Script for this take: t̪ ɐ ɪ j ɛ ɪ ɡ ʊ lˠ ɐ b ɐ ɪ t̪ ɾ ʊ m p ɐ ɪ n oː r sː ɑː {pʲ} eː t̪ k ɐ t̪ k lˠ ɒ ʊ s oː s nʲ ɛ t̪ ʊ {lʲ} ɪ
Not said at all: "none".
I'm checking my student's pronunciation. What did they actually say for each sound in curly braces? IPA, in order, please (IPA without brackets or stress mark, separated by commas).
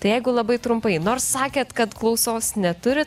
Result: kʲ, ɾʲ